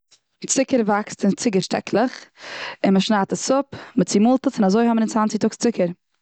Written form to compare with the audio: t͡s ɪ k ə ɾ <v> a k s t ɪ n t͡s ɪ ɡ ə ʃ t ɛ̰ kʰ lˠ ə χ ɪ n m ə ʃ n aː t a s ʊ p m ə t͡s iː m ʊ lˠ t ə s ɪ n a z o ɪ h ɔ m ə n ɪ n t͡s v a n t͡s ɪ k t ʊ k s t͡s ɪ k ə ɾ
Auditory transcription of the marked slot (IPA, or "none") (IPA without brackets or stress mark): v